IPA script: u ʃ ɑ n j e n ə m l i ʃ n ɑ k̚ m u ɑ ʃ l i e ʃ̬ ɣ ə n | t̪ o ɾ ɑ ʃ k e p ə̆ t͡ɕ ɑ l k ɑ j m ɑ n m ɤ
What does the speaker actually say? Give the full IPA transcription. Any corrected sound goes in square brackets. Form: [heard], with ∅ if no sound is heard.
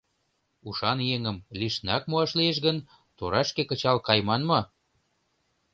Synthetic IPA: u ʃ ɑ n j e [ŋ] ə m l i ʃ n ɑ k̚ m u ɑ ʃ l i e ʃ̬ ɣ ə n | t̪ o ɾ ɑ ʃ k e [k] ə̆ t͡ɕ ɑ l k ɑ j m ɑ n m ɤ